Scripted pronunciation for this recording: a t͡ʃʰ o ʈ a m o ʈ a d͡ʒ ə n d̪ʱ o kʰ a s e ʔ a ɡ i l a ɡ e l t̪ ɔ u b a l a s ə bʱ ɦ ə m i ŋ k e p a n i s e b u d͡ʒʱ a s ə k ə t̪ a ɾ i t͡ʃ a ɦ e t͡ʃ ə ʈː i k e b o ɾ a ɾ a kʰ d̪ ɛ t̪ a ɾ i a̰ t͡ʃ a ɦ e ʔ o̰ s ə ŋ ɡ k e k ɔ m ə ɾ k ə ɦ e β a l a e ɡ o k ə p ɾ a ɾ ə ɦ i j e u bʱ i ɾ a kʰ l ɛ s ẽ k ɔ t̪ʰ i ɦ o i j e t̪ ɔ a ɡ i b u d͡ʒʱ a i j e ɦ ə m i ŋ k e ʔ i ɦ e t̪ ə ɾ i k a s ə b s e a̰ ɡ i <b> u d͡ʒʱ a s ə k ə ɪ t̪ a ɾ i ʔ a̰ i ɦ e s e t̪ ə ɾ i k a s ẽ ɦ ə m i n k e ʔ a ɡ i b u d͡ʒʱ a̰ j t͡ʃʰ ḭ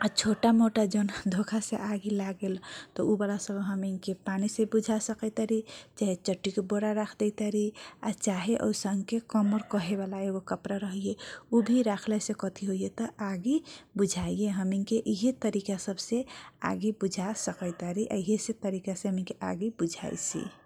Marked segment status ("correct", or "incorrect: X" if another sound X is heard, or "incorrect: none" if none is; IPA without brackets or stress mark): correct